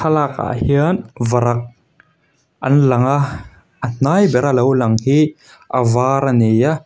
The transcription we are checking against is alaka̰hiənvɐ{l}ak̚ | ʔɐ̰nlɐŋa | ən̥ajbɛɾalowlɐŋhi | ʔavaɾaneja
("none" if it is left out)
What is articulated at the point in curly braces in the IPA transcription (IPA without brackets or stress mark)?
ɾ